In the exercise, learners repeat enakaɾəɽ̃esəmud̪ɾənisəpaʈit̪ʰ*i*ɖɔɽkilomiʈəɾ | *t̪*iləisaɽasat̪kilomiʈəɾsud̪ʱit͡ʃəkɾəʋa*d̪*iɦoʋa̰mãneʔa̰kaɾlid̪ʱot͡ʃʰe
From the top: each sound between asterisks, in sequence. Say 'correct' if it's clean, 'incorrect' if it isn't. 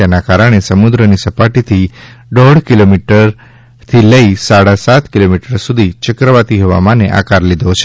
correct, incorrect: t̪ʰ, incorrect: t̪

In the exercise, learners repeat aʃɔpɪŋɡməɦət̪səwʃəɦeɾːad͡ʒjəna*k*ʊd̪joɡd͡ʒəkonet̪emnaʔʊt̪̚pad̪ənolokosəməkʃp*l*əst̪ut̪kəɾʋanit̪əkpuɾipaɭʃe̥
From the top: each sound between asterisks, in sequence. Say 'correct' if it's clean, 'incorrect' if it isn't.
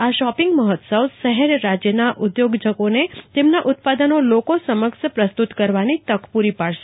incorrect: ʔ, incorrect: ɾ

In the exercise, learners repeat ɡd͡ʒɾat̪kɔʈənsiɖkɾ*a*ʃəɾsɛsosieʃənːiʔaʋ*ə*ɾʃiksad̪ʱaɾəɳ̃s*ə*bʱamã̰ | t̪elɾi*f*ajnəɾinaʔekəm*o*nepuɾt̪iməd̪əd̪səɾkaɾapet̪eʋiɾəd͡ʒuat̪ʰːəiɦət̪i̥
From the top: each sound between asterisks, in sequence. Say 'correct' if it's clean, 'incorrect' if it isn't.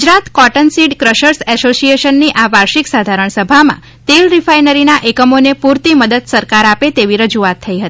incorrect: ə, incorrect: a, correct, correct, correct

